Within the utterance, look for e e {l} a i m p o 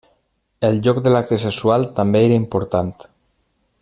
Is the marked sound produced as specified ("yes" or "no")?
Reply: no